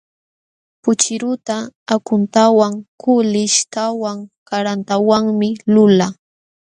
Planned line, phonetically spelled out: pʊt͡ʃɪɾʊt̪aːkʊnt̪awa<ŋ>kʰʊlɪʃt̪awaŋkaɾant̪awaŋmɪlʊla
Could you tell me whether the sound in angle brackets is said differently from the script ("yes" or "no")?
no